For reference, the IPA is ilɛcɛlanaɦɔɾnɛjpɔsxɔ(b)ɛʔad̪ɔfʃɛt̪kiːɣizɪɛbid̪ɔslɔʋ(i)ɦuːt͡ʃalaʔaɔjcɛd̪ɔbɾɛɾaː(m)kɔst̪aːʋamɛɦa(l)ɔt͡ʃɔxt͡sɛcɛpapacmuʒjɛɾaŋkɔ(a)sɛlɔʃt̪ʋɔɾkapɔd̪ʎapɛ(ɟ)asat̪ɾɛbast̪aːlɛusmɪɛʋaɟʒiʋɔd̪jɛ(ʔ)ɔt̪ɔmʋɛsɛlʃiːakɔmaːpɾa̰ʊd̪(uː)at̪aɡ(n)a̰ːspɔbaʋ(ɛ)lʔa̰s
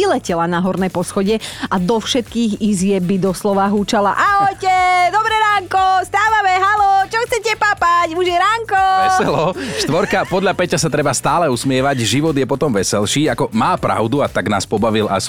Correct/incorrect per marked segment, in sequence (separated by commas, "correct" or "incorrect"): incorrect, incorrect, incorrect, correct, incorrect, incorrect, incorrect, incorrect, correct, incorrect